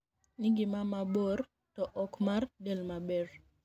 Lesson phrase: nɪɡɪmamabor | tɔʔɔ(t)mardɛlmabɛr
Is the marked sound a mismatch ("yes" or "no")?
yes